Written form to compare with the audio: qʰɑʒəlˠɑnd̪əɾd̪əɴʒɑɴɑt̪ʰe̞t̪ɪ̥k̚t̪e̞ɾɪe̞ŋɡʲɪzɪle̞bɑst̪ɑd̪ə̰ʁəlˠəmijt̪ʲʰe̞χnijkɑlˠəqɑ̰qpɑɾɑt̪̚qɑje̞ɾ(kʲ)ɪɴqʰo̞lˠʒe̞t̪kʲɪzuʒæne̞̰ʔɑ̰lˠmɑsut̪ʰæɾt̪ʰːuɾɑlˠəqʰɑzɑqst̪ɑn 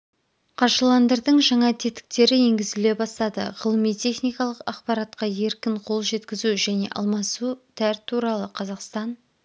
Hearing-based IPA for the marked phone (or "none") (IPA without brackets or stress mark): kʲ